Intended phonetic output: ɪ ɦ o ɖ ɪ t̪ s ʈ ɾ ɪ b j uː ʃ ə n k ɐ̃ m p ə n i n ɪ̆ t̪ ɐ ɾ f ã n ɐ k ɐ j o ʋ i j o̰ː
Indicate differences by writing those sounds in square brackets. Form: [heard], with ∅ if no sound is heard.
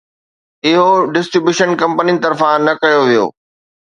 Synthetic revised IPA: ɪ ɦ o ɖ ɪ [∅] s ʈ ɾ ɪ b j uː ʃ ə n k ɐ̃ m p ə n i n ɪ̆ t̪ ɐ ɾ f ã n ɐ k ɐ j o ʋ i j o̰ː